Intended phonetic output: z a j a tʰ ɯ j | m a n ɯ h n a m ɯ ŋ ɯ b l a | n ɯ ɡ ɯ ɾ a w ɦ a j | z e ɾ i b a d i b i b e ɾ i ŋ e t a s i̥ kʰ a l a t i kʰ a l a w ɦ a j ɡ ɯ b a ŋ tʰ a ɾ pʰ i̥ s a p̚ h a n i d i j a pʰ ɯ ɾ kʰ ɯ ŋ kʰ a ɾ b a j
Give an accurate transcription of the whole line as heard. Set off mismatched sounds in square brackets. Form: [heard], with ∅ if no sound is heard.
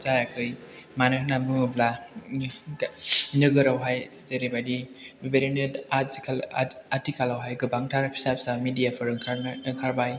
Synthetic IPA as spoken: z a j a [kʰ] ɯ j | m a n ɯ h n a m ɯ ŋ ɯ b l a | n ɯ ɡ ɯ ɾ a w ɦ a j | z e ɾ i b a d i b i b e ɾ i [n] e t a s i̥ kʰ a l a t i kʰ a l a w ɦ a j ɡ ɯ b a ŋ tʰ a ɾ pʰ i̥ s a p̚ [s] a [m] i d i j a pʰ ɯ ɾ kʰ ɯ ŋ kʰ a ɾ b a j